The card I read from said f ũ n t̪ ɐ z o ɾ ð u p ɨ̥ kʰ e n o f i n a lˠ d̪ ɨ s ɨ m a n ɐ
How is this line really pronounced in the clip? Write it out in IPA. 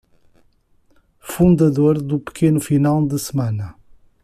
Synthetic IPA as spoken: f ũ n d̪ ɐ ð o ɾ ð u p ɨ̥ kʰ e n u f i n a lˠ d̪ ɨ s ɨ m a n ɐ